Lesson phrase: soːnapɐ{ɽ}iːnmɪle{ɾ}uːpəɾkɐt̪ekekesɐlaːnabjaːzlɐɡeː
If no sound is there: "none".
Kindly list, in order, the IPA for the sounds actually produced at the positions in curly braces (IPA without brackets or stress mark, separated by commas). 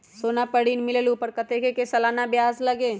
ɽ, l